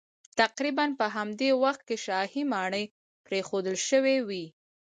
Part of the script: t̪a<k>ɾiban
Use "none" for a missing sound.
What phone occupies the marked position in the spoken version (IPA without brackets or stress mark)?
q